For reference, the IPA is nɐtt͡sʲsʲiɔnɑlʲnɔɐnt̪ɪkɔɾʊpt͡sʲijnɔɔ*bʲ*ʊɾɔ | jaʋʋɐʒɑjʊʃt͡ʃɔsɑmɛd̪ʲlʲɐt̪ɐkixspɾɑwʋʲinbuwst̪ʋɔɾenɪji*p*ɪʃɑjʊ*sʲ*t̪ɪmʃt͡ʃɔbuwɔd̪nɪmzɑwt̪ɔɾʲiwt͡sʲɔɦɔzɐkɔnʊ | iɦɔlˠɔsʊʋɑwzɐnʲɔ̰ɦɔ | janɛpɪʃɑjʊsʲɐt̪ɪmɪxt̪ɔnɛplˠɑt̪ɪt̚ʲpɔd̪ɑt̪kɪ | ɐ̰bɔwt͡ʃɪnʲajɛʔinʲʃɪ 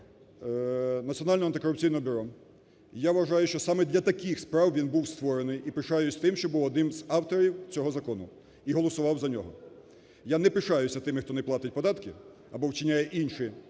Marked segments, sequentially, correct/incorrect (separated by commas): correct, correct, correct